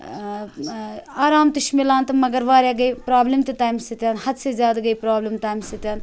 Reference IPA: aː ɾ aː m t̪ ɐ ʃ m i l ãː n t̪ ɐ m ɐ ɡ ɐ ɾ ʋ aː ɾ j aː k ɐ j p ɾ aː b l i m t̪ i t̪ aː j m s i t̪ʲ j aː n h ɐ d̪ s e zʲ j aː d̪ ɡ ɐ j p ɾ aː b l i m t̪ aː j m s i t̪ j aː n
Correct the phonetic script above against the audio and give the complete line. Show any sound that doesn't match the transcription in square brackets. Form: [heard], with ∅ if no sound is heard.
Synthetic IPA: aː ɾ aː m t̪ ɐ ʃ m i l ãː n t̪ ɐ m ɐ ɡ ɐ ɾ ʋ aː ɾ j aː [ɡ] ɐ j p ɾ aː b l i m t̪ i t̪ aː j m s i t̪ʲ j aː n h ɐ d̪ s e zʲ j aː d̪ ɡ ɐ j p ɾ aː b l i m t̪ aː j m s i t̪ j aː n